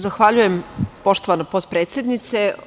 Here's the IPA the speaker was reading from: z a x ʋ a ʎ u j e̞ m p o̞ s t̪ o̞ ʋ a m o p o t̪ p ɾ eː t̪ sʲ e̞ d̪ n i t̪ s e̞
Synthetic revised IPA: z a x ʋ a ʎ u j e̞ m p o̞ ʃ t̪ o̞ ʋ a n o p o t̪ p ɾ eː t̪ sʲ e̞ d̪ n i t̪ s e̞